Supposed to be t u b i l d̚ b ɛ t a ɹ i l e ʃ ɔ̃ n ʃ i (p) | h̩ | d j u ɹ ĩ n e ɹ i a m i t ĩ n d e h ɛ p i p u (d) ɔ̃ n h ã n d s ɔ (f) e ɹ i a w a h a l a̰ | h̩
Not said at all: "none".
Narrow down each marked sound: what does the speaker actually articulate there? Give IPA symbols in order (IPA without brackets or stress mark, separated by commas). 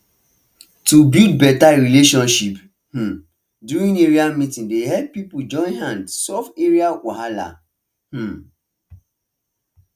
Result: p, d͡ʒ, f